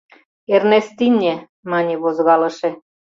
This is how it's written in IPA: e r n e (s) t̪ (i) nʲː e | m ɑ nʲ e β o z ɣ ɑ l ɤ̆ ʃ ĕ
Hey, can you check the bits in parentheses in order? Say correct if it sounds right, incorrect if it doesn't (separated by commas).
correct, correct